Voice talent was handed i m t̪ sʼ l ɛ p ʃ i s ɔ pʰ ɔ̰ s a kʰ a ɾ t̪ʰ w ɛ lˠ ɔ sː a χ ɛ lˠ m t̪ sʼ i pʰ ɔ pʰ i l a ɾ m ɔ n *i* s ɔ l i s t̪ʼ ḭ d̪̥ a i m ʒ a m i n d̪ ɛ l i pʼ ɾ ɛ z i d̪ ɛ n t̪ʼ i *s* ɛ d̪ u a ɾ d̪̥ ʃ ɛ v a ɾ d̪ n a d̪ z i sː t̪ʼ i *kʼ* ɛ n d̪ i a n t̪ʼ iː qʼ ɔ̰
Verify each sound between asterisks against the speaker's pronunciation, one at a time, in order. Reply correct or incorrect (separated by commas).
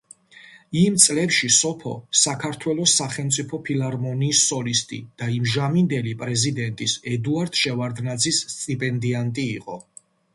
incorrect, correct, incorrect